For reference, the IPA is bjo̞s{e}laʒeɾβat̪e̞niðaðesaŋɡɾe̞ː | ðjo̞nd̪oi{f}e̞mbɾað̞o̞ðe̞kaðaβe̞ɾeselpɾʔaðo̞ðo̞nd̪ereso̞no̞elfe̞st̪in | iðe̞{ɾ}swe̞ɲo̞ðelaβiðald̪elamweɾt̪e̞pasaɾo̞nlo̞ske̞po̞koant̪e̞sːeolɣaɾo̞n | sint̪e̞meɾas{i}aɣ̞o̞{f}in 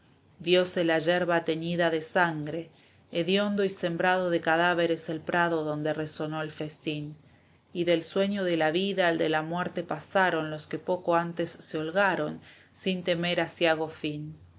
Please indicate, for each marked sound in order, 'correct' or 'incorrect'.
correct, incorrect: s, incorrect: l, incorrect: j, correct

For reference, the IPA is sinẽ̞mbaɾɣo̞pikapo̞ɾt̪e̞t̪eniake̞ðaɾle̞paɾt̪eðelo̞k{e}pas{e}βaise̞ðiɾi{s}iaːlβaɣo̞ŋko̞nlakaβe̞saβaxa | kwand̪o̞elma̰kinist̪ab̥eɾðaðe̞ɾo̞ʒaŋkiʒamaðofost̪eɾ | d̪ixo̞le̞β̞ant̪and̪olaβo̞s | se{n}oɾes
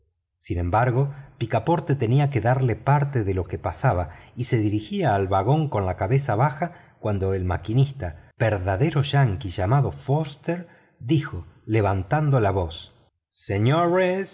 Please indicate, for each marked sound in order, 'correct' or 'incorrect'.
correct, incorrect: a, incorrect: x, incorrect: ɲ

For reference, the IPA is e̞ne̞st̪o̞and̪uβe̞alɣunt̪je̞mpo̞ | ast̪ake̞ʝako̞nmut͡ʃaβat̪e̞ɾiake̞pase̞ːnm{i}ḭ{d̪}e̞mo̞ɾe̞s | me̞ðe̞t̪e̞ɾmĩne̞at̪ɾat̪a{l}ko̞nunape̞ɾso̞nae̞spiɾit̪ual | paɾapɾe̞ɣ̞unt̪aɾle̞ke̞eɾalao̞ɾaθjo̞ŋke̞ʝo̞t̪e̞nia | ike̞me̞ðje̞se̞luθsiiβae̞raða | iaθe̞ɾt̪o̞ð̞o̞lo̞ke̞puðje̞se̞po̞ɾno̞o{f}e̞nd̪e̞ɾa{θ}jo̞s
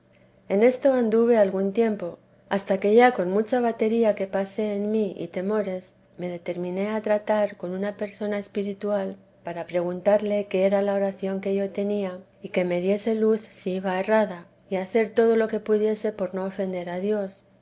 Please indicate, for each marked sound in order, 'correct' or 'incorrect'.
correct, incorrect: t̪, incorrect: ɾ, correct, incorrect: ð

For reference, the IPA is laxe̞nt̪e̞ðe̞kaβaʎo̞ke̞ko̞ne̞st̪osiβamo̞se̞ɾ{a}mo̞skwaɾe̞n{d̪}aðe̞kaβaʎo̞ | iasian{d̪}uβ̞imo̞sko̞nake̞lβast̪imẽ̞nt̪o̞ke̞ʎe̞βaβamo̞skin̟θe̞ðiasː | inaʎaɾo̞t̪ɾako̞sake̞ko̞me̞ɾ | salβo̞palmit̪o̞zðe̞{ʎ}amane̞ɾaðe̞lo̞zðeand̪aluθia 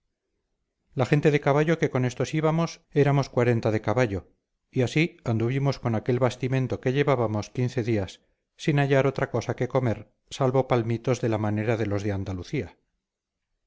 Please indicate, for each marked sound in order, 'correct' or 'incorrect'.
correct, incorrect: t̪, correct, incorrect: l

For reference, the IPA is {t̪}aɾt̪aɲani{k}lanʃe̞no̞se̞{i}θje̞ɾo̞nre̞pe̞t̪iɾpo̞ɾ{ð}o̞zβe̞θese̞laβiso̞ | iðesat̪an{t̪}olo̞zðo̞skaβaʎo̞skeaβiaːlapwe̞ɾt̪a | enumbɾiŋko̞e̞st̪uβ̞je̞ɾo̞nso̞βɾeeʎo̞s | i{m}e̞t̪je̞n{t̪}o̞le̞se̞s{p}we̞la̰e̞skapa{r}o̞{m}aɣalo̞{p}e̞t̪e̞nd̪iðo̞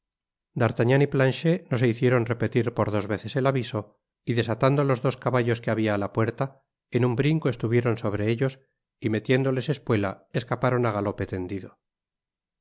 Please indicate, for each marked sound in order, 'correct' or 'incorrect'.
incorrect: d̪, incorrect: p, correct, correct, incorrect: d̪, correct, incorrect: d̪, correct, incorrect: ɾ, incorrect: n, correct

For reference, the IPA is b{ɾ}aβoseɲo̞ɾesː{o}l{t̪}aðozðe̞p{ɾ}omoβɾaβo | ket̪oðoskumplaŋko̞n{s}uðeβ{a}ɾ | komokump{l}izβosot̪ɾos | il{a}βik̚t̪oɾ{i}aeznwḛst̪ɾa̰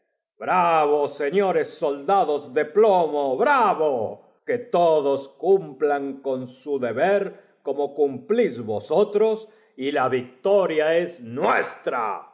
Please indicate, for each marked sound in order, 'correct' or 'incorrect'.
correct, correct, incorrect: d̪, incorrect: l, correct, incorrect: e, correct, correct, incorrect: j

